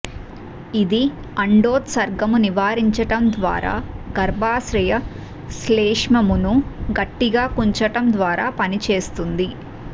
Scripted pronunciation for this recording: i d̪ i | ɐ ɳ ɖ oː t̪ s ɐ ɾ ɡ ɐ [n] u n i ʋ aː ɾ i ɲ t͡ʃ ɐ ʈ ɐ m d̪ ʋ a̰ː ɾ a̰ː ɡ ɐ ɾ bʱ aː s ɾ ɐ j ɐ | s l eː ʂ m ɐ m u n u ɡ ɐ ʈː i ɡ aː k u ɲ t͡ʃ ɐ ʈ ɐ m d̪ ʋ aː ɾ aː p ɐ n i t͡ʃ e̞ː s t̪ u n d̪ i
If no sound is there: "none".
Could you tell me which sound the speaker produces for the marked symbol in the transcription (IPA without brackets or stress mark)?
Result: m